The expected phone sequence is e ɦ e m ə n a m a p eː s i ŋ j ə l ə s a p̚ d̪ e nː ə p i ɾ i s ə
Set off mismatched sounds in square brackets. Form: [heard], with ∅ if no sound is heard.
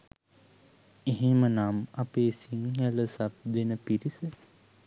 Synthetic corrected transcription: e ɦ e m ə n a m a p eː s i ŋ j ə l ə s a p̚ d̪ e [n] ə p i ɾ i s ə